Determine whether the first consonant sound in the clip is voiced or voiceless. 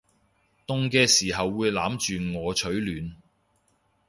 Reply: voiceless